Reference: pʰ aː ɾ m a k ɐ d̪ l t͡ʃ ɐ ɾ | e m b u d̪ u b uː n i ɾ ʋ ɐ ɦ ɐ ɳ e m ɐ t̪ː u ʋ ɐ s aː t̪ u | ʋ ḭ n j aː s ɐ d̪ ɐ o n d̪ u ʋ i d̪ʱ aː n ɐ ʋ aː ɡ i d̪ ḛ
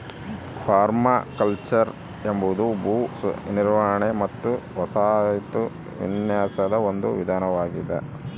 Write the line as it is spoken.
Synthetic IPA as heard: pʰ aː ɾ m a k ɐ l t͡ʃ ɐ ɾ | e m b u d̪ u b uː n i ɾ ʋ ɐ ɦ ɐ ɳ e m ɐ t̪ː u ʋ ɐ s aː t̪ u | ʋ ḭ n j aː s ɐ d̪ ɐ o n d̪ u ʋ i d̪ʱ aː n ɐ ʋ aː ɡ i d̪ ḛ